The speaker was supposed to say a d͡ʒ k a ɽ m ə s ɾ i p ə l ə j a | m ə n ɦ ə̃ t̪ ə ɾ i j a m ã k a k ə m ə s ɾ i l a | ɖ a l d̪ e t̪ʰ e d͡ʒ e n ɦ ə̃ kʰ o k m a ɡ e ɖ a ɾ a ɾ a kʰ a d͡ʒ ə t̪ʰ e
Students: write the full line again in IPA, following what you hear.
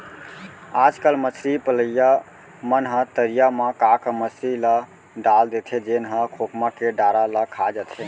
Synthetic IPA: a d͡ʒ k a l m ə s ɾ i p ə l ə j a | m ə n ɦ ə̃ t̪ ə ɾ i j a m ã k a k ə m ə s ɾ i l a | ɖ a l d̪ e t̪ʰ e d͡ʒ e n ɦ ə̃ kʰ o k m a k e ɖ a ɾ a l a kʰ a d͡ʒ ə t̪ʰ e